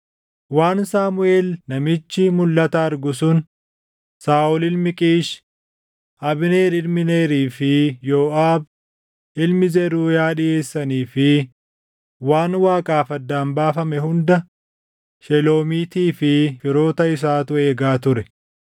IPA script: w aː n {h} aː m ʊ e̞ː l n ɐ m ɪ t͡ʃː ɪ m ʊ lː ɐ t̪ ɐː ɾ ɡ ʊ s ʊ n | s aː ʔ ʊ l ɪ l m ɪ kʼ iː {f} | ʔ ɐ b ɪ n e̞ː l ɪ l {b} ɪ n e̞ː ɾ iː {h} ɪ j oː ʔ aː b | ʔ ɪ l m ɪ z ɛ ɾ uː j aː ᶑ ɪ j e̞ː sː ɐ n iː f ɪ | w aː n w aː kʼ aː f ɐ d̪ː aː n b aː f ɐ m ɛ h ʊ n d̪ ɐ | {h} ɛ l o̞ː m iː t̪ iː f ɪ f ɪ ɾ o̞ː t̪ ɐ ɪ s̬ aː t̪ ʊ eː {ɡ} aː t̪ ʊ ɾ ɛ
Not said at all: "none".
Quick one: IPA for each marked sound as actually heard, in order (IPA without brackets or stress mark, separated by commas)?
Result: s, ʃ, m, f, ʃ, ɡ